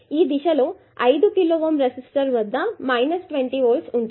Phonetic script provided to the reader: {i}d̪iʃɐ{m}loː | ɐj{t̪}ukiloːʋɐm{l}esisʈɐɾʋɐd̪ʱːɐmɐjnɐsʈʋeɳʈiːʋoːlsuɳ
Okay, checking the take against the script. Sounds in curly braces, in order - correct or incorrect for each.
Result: incorrect: iː, incorrect: none, incorrect: d̪, incorrect: ɾ

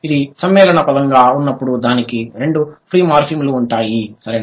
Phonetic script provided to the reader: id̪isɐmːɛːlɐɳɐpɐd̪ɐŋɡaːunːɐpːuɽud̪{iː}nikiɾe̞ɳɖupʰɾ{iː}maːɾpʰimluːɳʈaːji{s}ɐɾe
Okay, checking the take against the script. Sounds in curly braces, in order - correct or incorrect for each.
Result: incorrect: aː, correct, correct

